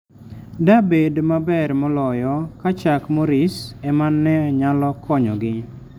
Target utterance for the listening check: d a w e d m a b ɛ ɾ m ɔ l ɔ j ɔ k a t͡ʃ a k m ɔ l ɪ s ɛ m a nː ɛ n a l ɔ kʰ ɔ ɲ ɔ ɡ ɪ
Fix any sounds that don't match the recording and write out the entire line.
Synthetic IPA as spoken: d a b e d m a b ɛ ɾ m ɔ l ɔ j ɔ k a t͡ʃ a k m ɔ ɾ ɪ s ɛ m a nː ɛ ɲ a l ɔ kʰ ɔ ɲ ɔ ɡ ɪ